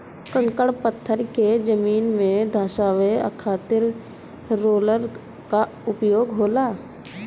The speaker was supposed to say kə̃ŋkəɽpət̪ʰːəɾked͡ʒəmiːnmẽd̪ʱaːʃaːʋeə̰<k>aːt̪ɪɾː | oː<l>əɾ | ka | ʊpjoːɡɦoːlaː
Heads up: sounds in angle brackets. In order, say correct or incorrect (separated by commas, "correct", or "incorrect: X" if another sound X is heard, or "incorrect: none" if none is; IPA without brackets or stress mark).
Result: incorrect: kʰ, correct